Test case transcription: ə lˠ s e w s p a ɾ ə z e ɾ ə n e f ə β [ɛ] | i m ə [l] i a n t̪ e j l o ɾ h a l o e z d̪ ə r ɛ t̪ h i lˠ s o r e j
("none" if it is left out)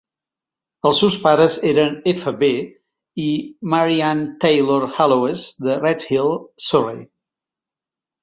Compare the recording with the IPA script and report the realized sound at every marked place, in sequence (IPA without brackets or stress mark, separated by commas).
e, ɾ